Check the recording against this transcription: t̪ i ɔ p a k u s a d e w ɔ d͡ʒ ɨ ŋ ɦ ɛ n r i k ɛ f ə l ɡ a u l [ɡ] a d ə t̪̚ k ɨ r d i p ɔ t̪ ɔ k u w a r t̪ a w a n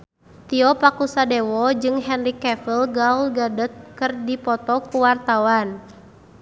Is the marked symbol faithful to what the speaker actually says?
yes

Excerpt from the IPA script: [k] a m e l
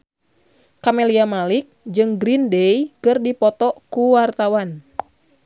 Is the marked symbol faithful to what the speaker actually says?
yes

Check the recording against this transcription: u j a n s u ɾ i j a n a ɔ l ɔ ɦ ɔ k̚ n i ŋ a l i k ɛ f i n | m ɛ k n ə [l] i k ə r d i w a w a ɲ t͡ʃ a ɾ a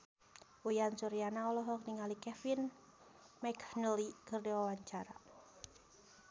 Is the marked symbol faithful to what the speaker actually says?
yes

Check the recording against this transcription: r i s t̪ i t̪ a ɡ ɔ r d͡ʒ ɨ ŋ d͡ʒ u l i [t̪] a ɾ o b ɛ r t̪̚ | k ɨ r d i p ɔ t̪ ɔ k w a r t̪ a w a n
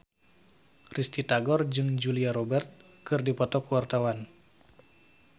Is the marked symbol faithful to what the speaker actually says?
no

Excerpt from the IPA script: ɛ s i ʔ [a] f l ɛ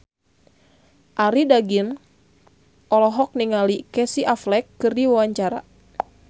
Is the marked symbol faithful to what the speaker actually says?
yes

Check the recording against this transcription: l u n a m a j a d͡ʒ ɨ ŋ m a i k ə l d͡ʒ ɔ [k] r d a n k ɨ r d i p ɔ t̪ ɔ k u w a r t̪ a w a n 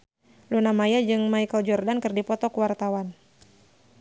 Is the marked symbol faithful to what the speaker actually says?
no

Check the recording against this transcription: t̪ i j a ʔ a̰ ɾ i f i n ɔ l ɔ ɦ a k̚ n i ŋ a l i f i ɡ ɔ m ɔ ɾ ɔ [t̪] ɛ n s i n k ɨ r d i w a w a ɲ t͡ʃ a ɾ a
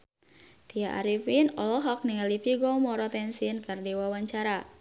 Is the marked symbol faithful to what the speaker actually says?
yes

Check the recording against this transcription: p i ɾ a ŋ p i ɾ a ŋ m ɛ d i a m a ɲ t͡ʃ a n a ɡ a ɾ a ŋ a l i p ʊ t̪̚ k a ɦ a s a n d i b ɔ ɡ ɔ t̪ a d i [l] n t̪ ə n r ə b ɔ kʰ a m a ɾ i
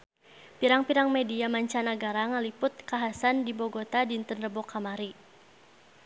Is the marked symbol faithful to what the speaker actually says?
no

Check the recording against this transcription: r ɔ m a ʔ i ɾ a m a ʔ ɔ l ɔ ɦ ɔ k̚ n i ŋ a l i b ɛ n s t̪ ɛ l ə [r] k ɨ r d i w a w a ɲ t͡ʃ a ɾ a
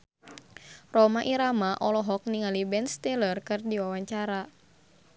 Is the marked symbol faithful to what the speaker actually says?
yes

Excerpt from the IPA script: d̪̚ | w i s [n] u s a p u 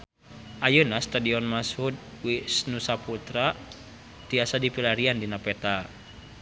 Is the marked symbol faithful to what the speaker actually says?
yes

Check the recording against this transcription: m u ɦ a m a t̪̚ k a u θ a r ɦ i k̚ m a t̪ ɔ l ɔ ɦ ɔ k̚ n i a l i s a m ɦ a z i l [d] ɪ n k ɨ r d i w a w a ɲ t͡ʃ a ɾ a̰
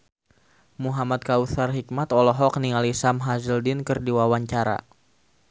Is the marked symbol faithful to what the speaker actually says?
yes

